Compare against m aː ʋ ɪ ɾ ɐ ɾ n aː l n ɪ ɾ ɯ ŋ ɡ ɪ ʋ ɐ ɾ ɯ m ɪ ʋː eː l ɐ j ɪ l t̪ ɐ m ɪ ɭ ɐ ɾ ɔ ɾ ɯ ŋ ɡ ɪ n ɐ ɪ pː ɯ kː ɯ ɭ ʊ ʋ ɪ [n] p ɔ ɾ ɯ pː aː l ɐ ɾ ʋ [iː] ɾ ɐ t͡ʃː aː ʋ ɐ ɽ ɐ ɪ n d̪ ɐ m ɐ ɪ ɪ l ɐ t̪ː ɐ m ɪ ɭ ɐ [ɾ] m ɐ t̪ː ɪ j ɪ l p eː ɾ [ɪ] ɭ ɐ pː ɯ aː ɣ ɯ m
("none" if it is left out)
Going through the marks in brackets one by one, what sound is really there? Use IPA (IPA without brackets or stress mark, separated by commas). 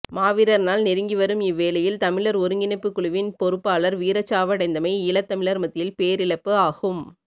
n, iː, ɾ, ɪ